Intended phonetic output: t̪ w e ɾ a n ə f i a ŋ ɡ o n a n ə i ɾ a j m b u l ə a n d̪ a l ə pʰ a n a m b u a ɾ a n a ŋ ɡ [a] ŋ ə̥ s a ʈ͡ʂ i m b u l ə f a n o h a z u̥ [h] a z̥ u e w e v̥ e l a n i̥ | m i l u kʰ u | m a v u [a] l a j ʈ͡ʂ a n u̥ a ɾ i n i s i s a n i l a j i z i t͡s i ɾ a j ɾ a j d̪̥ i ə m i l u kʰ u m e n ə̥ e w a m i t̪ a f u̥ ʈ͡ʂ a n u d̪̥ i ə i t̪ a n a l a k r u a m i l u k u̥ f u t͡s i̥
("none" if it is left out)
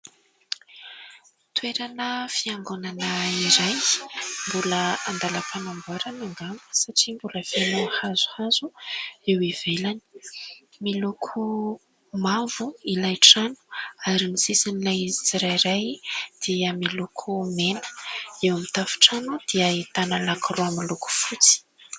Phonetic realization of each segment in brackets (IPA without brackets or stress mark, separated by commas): a, h, i